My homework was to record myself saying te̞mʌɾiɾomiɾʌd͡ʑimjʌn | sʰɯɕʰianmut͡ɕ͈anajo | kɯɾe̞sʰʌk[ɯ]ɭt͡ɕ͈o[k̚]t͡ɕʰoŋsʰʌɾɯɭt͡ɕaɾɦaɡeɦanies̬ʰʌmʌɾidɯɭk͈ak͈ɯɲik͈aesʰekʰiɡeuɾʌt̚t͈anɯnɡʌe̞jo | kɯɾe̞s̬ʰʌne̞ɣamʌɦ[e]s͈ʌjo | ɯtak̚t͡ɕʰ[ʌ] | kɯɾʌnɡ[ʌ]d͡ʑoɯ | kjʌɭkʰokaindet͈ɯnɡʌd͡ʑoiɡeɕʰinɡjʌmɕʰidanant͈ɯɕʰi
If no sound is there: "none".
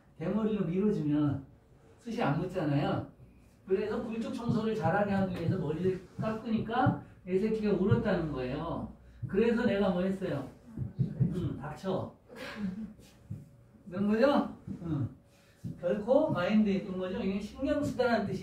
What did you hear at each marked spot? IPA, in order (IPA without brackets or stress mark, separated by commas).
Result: u, k̚, e, ʌ, ʌ